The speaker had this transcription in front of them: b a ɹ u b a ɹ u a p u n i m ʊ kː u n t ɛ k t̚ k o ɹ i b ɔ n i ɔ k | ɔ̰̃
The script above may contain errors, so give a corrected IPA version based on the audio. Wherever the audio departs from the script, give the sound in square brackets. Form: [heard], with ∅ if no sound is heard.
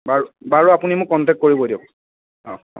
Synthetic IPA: b a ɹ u b a ɹ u a p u n i m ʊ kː [ɔ] n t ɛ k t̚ k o ɹ i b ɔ [d] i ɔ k | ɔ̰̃